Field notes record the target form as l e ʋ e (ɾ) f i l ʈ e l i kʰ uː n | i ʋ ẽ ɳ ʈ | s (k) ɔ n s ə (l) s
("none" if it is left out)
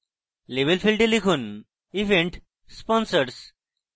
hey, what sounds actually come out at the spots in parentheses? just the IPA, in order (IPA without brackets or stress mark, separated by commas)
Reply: l, p, ɾ